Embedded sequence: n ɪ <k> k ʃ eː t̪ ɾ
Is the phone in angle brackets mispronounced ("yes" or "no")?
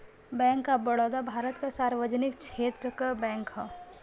no